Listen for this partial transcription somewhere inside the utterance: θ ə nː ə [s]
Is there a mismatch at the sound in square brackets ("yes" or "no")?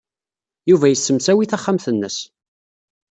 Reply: no